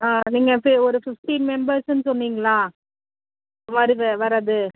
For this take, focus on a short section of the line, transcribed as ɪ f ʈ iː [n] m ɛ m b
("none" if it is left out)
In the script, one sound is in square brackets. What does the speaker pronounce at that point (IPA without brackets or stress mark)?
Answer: n